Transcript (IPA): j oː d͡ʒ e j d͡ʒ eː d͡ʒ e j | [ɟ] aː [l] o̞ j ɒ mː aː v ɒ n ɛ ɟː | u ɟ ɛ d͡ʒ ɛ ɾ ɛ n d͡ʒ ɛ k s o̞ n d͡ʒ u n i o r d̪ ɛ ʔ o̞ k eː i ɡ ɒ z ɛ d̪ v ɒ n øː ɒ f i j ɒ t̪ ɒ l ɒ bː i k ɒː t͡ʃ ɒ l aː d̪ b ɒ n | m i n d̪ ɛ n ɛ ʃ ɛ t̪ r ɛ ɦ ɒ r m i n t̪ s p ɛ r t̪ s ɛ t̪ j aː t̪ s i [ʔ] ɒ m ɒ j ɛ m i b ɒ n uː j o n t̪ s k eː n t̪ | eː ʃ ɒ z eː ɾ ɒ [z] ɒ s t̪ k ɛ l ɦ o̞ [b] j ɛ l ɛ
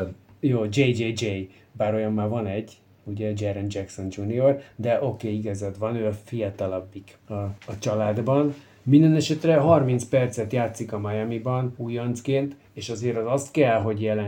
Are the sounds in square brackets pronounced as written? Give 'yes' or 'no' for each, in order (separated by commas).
no, no, no, yes, no